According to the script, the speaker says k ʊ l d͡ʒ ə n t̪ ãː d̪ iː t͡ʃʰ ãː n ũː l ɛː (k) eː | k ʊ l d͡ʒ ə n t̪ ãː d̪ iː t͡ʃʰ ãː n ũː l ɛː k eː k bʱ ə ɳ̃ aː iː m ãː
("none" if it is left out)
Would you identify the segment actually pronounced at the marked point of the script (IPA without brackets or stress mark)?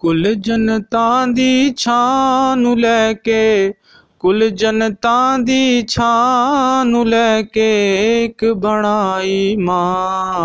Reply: k